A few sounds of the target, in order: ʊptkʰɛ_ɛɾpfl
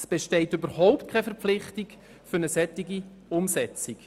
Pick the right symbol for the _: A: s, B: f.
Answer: B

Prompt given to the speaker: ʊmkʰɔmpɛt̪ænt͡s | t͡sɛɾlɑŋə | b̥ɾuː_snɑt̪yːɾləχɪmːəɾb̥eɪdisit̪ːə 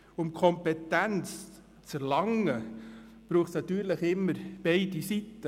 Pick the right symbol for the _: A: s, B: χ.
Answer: B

